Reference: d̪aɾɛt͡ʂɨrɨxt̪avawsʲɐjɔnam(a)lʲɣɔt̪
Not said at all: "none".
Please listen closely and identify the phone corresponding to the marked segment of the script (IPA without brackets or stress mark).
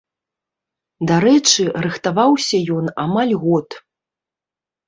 a